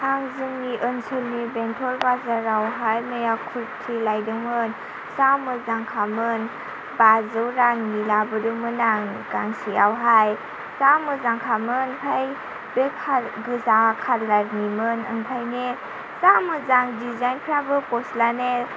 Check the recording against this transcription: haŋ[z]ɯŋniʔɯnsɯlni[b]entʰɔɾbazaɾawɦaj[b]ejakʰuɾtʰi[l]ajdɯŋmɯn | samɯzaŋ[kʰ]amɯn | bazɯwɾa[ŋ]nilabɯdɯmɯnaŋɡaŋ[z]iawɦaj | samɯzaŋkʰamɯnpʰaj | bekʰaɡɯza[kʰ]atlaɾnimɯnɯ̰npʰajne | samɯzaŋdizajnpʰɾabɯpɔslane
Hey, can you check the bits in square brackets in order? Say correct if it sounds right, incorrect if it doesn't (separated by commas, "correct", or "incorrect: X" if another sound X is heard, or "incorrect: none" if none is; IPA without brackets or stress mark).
correct, correct, incorrect: m, correct, correct, correct, incorrect: s, correct